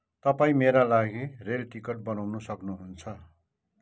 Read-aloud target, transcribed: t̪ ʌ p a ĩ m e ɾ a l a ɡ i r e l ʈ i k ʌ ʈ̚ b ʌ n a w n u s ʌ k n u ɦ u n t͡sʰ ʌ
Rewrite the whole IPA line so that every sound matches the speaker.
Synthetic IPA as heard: t̪ ʌ p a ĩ m e ɾ a l a ɡ i r e l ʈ i k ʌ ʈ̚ b ʌ n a w n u s ʌ k n u ɦ u n t͡sʰ ʌ